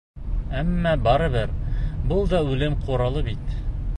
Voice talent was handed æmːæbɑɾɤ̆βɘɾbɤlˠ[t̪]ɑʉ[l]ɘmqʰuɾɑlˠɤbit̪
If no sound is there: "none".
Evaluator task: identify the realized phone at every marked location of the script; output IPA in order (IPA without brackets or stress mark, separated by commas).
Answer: d̪, l